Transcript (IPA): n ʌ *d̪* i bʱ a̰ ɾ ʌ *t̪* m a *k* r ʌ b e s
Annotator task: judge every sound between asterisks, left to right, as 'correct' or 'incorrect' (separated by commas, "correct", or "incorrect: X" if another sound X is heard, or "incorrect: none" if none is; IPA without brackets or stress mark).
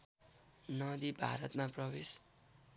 correct, correct, incorrect: p